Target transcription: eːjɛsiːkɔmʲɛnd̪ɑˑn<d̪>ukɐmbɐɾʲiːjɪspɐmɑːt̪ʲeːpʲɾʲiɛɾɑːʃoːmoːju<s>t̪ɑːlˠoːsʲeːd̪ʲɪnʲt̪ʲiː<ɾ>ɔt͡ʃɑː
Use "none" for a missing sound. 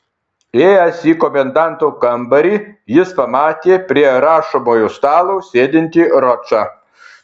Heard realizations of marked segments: t̪, s, ɾ

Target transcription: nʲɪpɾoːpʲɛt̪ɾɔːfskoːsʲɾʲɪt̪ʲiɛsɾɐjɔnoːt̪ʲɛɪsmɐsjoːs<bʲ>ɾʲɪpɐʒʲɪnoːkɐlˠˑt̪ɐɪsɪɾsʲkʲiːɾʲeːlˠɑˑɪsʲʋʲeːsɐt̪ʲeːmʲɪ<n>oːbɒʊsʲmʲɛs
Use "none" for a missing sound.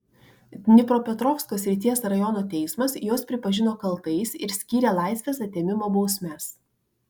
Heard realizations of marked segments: pʲ, m

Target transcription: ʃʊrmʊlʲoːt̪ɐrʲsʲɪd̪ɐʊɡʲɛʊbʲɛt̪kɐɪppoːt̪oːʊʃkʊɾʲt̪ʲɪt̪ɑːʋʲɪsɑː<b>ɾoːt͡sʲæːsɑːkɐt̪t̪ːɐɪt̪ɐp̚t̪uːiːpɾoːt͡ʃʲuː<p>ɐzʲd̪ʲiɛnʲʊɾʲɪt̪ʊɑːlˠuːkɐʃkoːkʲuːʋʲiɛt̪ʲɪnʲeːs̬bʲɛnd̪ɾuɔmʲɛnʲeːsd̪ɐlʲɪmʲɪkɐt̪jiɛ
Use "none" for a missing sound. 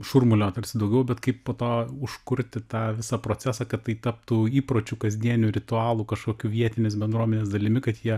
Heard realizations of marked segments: p, k

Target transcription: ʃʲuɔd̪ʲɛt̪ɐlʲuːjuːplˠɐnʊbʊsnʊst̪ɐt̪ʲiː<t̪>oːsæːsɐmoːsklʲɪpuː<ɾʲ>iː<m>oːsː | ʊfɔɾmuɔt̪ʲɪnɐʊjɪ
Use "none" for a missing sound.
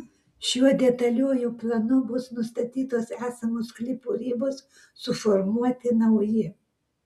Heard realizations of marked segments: t̪, ɾʲ, b

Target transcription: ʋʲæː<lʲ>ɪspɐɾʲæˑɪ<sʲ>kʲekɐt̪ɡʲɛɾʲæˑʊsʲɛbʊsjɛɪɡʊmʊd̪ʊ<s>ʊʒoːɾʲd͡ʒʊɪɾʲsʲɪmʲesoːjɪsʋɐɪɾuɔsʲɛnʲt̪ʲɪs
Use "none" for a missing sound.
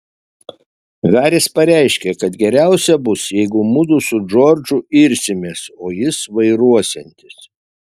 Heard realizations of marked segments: ɾʲ, ʃʲ, s

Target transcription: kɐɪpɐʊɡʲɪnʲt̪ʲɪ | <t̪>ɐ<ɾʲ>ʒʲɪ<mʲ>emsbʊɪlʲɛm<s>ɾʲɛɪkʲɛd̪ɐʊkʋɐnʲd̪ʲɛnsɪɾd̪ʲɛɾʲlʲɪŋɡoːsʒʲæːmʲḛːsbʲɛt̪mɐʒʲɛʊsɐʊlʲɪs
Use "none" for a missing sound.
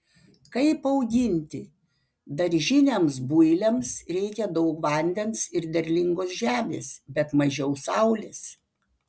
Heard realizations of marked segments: d̪, ɾʲ, nʲ, s

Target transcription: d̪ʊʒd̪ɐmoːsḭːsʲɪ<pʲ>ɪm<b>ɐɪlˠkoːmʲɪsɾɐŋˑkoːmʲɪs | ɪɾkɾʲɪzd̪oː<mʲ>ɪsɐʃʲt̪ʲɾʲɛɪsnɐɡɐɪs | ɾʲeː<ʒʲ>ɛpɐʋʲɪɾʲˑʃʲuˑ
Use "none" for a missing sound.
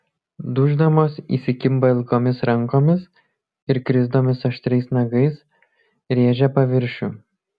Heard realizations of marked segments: kʲ, b, mʲ, ʒʲ

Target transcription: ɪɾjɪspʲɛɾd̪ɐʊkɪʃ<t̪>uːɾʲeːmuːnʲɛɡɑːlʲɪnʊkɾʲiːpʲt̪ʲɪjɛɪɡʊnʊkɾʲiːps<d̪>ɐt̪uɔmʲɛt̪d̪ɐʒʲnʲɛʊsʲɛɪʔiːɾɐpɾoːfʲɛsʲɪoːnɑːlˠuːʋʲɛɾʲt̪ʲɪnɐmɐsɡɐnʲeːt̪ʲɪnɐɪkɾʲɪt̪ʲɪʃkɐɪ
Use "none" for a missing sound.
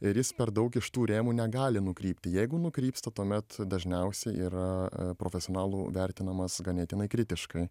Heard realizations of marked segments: t̪, t̪

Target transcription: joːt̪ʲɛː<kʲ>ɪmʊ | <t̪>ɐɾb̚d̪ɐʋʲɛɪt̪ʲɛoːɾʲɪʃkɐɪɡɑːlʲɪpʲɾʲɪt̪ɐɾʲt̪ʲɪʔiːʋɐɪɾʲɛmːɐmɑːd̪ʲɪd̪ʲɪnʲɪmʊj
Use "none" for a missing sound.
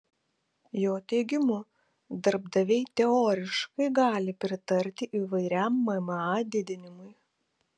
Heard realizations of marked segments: ɡʲ, d̪

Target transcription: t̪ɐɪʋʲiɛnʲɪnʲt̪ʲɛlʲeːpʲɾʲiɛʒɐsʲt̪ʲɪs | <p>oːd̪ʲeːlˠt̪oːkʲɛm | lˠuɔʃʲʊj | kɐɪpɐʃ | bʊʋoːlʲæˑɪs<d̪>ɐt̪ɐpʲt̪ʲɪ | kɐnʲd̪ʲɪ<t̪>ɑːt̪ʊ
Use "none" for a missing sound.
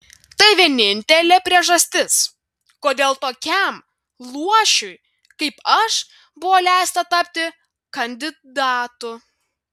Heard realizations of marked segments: k, t̪, d̪

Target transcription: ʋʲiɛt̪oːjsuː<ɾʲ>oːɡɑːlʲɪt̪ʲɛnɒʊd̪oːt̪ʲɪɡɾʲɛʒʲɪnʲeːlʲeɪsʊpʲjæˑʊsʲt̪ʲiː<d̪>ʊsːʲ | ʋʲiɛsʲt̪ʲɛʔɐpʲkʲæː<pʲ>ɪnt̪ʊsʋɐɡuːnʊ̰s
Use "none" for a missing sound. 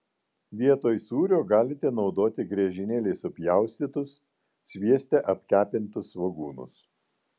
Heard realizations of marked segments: ɾʲ, t̪, pʲ

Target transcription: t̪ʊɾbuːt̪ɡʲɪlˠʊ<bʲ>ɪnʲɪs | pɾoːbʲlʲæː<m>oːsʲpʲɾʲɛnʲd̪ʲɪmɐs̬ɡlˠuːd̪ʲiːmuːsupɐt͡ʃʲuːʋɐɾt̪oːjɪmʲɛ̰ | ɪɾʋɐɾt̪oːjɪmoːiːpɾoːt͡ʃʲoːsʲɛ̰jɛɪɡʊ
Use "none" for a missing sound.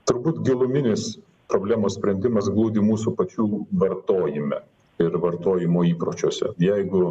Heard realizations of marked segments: mʲ, m

